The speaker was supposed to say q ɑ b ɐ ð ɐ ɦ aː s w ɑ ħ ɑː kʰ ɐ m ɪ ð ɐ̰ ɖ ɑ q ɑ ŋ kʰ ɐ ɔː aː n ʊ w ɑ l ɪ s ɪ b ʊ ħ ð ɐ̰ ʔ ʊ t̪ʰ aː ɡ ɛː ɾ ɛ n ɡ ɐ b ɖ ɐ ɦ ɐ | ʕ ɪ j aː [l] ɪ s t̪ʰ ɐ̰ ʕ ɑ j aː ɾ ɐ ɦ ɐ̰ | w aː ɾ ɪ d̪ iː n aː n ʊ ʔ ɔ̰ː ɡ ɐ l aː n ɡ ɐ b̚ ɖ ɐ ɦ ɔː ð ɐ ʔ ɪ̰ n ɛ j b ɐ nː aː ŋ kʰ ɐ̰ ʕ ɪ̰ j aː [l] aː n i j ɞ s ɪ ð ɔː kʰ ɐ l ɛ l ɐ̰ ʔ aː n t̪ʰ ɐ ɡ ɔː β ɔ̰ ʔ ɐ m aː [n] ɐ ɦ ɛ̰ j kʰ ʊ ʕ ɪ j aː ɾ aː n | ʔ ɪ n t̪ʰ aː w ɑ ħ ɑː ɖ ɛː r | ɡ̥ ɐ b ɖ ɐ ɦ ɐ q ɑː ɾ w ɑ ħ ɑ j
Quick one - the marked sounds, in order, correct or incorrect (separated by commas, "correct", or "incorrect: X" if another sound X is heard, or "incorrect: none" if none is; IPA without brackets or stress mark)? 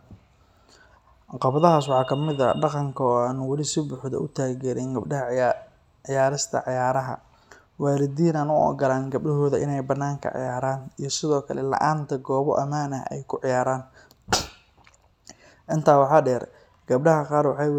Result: incorrect: ɾ, incorrect: ɾ, correct